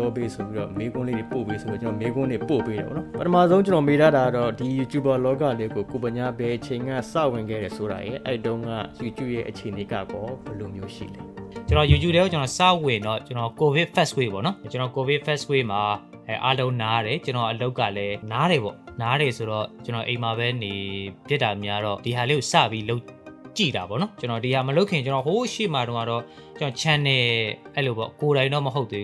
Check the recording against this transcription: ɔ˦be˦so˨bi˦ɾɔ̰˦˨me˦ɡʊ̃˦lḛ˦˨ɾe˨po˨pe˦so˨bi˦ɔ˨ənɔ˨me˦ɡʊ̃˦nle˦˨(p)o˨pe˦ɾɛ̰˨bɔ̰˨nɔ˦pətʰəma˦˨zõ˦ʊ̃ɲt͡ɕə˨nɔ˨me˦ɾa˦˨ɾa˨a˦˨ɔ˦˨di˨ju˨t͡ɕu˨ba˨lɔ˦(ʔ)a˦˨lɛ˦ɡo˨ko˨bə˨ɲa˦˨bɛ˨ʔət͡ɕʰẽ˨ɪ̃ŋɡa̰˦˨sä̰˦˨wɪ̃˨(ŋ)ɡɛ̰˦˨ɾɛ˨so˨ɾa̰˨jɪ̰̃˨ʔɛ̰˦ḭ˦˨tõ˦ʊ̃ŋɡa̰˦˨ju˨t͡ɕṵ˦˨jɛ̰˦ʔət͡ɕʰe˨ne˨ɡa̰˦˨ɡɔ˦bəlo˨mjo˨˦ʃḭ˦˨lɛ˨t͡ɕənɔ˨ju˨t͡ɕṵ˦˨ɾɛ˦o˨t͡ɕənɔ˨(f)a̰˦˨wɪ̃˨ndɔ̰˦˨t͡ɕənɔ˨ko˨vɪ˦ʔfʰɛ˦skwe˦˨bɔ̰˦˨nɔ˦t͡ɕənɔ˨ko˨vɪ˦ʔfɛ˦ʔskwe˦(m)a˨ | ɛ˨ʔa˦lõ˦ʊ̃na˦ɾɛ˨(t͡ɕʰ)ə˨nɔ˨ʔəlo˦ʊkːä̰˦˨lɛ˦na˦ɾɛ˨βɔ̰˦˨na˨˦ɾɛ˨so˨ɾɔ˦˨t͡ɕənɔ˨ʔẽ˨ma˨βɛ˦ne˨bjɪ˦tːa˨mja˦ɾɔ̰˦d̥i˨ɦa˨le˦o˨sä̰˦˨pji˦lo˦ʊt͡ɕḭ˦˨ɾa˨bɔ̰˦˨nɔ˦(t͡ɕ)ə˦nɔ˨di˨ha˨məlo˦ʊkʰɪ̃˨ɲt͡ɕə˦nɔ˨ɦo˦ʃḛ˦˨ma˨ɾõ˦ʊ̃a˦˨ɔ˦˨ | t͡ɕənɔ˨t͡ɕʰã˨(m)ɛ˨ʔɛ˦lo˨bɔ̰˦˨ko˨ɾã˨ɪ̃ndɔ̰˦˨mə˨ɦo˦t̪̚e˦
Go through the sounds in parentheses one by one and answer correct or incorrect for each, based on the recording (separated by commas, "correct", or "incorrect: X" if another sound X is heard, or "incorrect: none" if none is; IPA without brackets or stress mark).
correct, incorrect: k, correct, incorrect: s, correct, incorrect: t͡ɕ, correct, incorrect: n